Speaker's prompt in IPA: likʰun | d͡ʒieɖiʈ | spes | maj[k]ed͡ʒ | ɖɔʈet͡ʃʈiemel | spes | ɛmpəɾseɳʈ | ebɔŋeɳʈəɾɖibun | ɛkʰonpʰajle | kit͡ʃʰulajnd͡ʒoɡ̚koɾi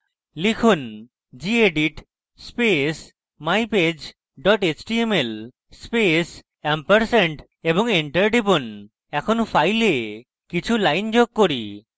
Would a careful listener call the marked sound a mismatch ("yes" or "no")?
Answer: yes